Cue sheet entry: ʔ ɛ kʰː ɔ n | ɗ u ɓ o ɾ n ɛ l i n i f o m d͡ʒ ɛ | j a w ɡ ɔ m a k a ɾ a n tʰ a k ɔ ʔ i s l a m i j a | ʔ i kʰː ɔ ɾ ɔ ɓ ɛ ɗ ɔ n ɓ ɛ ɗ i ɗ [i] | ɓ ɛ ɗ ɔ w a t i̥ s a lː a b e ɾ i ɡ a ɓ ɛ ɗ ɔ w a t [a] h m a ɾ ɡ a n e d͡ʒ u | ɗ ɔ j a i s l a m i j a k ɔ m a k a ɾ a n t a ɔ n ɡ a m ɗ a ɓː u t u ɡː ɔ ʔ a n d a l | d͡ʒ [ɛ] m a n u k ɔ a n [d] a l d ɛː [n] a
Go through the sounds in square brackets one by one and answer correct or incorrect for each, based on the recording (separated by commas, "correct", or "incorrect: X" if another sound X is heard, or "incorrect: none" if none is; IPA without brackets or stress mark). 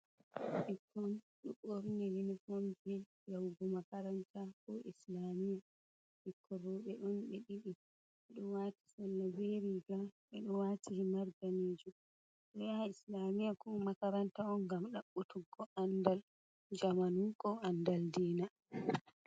correct, incorrect: i, incorrect: a, correct, correct